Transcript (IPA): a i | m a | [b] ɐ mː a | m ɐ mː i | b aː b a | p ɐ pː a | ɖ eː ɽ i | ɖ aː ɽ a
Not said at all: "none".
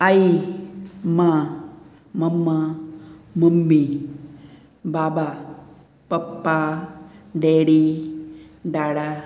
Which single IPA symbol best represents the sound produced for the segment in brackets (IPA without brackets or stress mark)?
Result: m